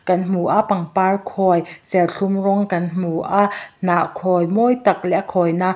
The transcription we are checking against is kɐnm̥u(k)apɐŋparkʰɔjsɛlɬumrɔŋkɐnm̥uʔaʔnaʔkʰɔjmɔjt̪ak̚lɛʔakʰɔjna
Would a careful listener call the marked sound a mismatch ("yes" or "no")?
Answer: yes